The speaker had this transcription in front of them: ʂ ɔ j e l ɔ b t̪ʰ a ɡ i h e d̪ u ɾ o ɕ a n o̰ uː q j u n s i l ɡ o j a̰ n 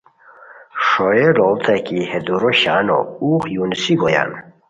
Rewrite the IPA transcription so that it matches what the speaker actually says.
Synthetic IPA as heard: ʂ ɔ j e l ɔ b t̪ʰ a k i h e d̪ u ɾ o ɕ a n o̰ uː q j u n s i ɡ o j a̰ n